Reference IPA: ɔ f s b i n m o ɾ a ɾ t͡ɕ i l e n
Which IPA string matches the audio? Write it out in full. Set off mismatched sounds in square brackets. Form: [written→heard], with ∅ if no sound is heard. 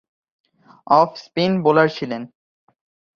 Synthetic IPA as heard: ɔ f s [b→p] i n [m→b] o [ɾ→l] a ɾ [t͡ɕ→t͡ɕʰ] i l e n